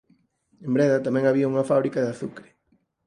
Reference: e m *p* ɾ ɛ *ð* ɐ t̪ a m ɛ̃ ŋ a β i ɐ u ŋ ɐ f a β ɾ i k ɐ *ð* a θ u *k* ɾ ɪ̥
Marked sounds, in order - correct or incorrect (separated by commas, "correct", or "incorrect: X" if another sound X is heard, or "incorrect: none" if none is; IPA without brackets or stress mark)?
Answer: incorrect: b, correct, correct, correct